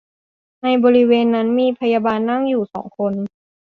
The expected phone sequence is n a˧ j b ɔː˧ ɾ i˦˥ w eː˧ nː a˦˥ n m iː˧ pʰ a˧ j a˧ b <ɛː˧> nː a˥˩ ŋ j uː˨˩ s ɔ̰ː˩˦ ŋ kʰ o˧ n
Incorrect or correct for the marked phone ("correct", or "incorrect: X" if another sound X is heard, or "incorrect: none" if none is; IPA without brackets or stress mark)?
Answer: incorrect: aː˧